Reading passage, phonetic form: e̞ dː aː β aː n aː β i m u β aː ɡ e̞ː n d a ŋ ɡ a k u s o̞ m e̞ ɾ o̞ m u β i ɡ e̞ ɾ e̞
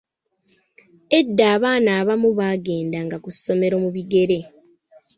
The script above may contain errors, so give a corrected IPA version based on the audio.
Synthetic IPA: e̞ dː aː β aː n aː β a m u β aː ɡ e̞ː n d a ŋ ɡ a k u s o̞ m e̞ ɾ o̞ m u β i ɡ e̞ ɾ e̞